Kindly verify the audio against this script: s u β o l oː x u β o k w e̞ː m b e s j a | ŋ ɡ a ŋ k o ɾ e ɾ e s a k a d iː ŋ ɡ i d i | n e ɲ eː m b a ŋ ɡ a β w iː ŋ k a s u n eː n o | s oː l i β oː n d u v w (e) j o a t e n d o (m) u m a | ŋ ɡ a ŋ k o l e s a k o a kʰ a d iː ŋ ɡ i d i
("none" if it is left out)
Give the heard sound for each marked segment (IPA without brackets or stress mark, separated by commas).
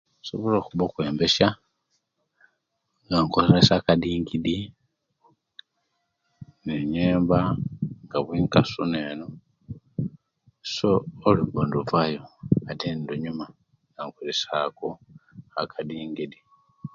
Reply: a, ɲ